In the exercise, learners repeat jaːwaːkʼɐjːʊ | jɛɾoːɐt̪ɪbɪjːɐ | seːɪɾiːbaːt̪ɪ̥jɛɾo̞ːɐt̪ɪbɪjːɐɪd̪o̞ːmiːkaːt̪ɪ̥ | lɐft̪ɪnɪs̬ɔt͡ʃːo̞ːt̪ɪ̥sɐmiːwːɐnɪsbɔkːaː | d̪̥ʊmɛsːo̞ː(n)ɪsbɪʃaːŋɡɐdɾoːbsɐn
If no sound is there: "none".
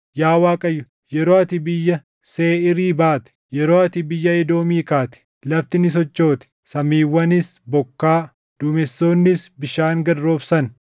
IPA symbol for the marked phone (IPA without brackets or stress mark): nː